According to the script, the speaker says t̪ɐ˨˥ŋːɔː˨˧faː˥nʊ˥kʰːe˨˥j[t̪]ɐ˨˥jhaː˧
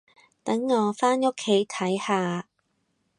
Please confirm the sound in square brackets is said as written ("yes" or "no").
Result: no